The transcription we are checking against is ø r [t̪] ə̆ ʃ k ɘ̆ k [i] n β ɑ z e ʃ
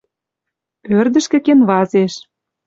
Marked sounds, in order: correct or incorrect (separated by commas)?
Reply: incorrect, incorrect